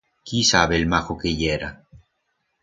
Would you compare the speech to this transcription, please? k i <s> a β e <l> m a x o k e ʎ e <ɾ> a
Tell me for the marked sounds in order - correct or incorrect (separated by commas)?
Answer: correct, correct, correct